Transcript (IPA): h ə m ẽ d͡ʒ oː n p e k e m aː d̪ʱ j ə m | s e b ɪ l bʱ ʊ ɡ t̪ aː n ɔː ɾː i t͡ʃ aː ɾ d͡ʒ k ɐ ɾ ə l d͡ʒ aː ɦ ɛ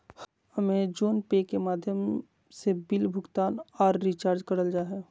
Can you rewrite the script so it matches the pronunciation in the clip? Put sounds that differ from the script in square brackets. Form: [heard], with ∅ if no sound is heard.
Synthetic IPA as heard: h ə m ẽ d͡ʒ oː n p e k e m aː d̪ʱ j ə m | s e b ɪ l bʱ ʊ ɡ t̪ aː n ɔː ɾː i t͡ʃ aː ɾ d͡ʒ k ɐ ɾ ə l d͡ʒ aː ɦ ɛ